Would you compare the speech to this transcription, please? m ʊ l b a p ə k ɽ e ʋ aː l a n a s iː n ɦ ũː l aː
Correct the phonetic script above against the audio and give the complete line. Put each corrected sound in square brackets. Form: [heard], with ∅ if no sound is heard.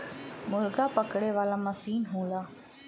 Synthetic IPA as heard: m ʊ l [ɡ] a p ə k ɽ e ʋ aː l a [m] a s iː n ɦ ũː l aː